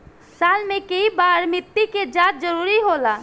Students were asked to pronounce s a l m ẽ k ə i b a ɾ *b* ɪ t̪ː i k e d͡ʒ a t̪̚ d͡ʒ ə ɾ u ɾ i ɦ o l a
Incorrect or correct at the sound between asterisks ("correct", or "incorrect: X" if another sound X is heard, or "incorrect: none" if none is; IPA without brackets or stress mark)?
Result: incorrect: m